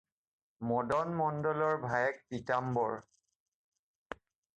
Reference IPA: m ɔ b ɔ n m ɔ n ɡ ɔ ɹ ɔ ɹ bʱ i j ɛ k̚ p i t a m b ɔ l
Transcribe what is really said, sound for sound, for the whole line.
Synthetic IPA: m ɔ d ɔ n m ɔ n d ɔ l ɔ ɹ bʱ a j ɛ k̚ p i t a m b ɔ ɹ